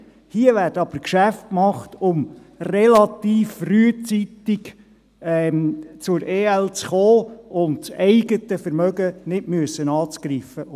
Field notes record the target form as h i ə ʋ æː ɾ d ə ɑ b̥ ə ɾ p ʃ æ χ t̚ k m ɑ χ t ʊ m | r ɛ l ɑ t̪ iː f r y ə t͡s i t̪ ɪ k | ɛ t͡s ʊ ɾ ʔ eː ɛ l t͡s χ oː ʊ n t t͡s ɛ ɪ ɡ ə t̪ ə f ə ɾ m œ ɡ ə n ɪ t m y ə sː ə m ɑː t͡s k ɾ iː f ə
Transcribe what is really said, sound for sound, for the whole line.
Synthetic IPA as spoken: h i ə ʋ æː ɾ d ə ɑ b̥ ə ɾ k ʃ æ f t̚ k m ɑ χ t ʊ m | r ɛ l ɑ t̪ iː f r y ə t͡s i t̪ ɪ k | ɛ t͡s ʊ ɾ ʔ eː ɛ l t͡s χ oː ʊ n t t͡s ɛ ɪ ɡ ə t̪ ə f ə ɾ m œ ɡ ə n ɪ t m y ə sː ə n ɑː t͡s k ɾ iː f ə

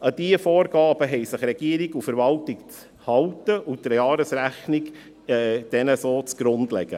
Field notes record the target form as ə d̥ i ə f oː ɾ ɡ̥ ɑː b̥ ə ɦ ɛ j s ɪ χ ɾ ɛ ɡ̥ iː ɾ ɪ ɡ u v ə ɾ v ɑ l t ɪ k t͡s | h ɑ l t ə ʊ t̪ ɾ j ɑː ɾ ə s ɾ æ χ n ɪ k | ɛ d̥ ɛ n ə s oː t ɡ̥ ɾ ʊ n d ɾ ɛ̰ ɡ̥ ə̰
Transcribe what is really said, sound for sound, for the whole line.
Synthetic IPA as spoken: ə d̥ i ə f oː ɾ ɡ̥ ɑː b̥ ə ɦ ɛ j s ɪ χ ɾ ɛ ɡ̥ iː ɾ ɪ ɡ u f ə ɾ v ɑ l t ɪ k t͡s | h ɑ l t ə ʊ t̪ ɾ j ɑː ɾ ə s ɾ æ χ n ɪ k | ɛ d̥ ɛ n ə s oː t͡s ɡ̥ ɾ ʊ n d l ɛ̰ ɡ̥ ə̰

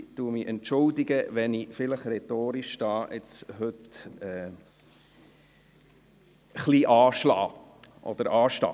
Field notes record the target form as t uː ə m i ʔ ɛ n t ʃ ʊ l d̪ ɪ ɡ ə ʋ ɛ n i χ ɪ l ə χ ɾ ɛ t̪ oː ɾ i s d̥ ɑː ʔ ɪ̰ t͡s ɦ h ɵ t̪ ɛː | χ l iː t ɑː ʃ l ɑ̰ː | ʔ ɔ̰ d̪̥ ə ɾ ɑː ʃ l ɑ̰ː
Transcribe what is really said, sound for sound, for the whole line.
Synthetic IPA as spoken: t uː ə m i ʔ ɛ n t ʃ ʊ l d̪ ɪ ɡ ə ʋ ɛ n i f ɪ l ə χ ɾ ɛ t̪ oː ɾ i ʃ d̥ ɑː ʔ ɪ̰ t͡s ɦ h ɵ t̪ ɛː | χ l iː ʔ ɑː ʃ l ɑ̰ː | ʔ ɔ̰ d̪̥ ə ɾ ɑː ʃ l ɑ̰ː

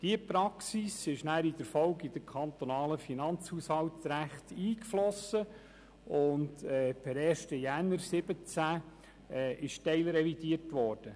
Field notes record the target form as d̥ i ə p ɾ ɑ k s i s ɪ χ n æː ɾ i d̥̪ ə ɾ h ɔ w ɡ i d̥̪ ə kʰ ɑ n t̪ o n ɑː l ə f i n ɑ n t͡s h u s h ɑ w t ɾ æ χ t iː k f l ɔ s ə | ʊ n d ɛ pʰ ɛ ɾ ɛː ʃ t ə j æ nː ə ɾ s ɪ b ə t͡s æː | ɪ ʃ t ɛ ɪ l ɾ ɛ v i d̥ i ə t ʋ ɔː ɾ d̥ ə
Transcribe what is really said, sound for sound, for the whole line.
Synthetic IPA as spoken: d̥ i ə p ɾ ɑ k s i s ɪ ʃ n æː ɾ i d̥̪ ə ɾ f ɔ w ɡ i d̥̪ ə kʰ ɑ n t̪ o n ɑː l ə f i n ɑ n t͡s h u s h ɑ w t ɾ æ χ t iː k f l ɔ s ə | ʊ n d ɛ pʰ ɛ ɾ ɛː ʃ t ə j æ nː ə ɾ s ɪ b ə t͡s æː | ɪ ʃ t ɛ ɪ l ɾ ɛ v i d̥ i ə t ʋ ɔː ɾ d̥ ə

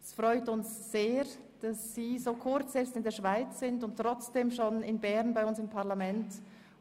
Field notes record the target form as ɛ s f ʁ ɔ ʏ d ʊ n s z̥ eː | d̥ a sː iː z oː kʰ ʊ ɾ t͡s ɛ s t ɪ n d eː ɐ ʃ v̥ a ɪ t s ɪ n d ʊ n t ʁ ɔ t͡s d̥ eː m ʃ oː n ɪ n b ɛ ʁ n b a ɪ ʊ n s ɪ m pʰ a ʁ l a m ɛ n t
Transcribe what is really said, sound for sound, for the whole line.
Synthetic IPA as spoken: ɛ s f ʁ ɔ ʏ t ʊ n s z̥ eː | d̥ a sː iː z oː kʰ ʊ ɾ t͡s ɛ s t ɪ n d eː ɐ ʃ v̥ a ɪ t͡s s ɪ n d ʊ n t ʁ ɔ t͡s d̥ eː m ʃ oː n ɪ n b ɛ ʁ n b a ɪ ʊ n s ɪ m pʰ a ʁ l a m ɛ n t

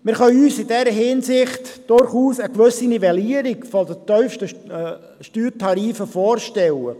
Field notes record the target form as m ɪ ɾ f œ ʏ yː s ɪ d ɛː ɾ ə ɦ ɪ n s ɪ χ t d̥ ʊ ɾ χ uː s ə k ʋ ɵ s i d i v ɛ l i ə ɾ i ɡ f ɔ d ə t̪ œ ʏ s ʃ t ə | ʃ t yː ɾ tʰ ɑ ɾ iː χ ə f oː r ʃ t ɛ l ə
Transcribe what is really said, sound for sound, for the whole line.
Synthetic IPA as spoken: m ɪ ɾ χ œ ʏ yː s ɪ d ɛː ɾ ə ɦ ɪ n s ɪ χ t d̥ ʊ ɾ χ uː s ə k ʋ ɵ s i n i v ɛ l i ə ɾ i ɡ f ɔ d ə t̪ œ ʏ f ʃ t ə | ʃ t yː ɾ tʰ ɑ ɾ iː f ə f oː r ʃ t ɛ l ə

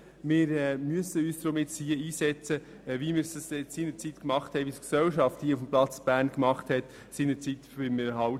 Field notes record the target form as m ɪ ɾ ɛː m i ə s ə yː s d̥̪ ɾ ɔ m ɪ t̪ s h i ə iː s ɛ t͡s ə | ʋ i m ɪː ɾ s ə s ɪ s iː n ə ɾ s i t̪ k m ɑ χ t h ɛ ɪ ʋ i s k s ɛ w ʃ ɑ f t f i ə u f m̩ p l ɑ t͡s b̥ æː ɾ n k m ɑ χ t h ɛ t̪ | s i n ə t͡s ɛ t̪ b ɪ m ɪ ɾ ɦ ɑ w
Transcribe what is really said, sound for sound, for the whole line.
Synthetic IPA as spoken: m ɪ ɾ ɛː m y ə s ə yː s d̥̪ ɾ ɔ m ɪ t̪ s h i ə iː s ɛ t͡s ə | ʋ i m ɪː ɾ s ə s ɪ s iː n ə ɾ t͡s i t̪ k m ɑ χ t h ɛ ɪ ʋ i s k s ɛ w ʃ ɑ f t h i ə u f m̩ p l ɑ t͡s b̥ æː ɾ n k m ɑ χ t h ɛ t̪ | s i n ə t͡s i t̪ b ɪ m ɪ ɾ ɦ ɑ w

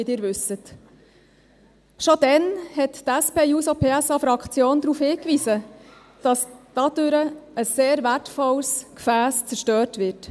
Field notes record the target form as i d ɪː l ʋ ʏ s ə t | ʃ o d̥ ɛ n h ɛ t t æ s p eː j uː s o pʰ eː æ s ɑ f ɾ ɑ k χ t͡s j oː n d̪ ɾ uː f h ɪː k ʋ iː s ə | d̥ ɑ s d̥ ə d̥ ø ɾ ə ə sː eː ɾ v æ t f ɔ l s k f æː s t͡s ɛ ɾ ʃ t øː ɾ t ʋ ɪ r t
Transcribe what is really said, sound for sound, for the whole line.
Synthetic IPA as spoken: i d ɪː ɾ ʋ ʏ s ə t | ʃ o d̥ ɛ n h ɛ t t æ s p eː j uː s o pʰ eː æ s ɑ f ɾ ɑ k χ t͡s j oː n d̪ ɾ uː f h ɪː k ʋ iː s ə | d̥ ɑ s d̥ ɑ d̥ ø ɾ ə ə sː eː ɾ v æ t f ɔ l s k f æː s t͡s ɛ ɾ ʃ t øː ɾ t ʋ ɪ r t

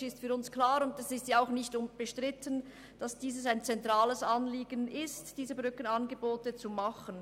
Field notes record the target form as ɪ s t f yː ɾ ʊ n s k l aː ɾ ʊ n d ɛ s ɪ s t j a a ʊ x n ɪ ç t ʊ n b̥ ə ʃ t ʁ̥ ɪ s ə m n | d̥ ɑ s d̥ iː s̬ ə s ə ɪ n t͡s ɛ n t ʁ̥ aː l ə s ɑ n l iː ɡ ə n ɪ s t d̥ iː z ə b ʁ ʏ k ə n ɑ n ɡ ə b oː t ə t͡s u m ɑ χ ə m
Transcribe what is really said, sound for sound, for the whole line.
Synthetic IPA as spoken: ɪ s t f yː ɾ ʊ n s k l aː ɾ ʊ n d ɛ s ɪ s t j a a ʊ x n ɪ ç t ʊ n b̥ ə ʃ t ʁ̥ ɪ t ə n | d̥ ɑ s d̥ iː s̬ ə s a ɪ n t͡s ɛ n t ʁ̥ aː l ə s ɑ n l iː ɡ ə n ɪ s t d̥ iː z ə b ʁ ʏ k ə n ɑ n ɡ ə b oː t ə t͡s u m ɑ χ ə n

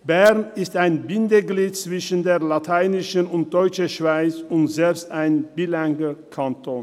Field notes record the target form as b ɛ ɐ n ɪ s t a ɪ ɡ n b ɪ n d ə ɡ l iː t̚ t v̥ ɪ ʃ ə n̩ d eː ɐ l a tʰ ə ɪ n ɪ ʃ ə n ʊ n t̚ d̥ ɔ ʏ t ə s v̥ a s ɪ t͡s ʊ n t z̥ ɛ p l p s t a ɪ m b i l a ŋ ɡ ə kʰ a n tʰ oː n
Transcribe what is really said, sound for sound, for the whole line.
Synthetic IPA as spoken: b ɛ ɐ n ɪ s t a ɪ n b ɪ n d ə ɡ l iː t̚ t͡s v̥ ɪ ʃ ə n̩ d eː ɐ l a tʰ a ɪ n ɪ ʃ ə n ʊ n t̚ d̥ ɔ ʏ t͡ʃ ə ʃ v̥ a ɪ t͡s ʊ n t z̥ ɛ l p s t a ɪ n b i l a ŋ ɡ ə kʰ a n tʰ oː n

